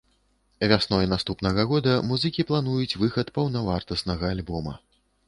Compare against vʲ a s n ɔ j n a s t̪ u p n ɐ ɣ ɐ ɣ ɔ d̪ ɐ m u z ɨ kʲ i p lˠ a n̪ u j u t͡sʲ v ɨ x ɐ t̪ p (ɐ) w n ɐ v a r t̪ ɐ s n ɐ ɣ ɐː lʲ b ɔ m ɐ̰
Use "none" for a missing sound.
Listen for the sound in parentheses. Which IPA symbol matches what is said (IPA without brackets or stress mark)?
ɐ